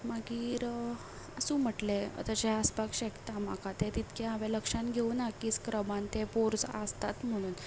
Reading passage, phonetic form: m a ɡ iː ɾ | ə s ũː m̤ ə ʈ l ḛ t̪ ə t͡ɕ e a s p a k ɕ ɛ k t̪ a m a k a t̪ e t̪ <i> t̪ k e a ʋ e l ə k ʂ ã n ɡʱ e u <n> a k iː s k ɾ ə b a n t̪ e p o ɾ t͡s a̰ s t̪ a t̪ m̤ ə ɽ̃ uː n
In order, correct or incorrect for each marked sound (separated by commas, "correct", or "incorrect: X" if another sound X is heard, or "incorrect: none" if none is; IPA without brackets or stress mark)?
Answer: correct, correct